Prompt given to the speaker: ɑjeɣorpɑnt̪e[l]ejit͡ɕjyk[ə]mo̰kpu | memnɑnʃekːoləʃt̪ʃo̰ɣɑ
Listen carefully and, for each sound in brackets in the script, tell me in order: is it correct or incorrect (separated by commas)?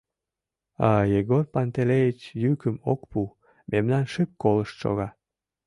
correct, correct